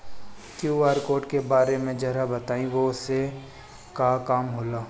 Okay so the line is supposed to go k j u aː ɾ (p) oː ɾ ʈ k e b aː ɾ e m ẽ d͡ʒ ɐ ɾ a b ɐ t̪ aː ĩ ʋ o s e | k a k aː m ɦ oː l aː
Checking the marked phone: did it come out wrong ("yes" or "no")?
yes